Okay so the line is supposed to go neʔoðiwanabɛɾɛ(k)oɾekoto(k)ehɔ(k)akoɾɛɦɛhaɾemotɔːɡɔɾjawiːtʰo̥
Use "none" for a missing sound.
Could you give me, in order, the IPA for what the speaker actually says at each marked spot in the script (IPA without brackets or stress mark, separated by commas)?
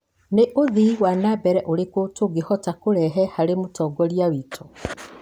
ʔ, ɡ, t